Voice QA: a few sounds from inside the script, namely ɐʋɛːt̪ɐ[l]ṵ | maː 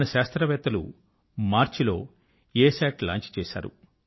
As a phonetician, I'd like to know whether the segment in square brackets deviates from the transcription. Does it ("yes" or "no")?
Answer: no